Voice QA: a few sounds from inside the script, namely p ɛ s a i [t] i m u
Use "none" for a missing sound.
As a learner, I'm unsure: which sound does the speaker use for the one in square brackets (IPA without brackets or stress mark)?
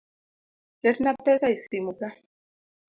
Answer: s